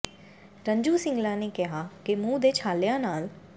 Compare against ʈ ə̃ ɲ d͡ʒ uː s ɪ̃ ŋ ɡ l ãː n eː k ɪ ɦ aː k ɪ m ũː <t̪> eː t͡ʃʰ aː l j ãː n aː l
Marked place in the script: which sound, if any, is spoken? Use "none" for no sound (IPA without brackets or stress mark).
d̪